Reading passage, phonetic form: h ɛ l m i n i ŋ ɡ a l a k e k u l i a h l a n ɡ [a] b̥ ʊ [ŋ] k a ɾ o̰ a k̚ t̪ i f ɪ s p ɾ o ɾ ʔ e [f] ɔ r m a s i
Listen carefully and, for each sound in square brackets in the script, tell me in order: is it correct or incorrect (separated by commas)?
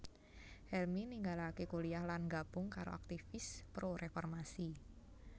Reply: correct, correct, correct